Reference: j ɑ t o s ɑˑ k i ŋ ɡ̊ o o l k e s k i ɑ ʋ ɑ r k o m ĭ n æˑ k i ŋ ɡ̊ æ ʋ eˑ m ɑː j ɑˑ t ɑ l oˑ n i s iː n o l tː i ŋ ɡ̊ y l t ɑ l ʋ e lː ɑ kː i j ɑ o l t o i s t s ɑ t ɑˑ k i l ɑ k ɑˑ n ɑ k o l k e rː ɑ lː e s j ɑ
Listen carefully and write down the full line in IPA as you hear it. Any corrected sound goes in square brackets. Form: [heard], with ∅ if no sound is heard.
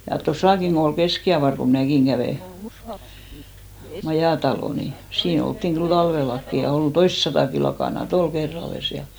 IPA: j ɑ t o s ɑˑ k i ŋ ɡ̊ o o l k e s k i ɑ ʋ ɑ r k o m ĭ n æˑ k i ŋ ɡ̊ æ ʋ eˑ m [ɑ] j ɑˑ t ɑ l oˑ n i s iː n o l tː i ŋ ɡ̊ y l t ɑ l ʋ e lː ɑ kː i j ɑ o l t o i s t s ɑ t ɑˑ k i l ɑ k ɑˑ n ɑ [t] o l k e rː ɑ lː e s j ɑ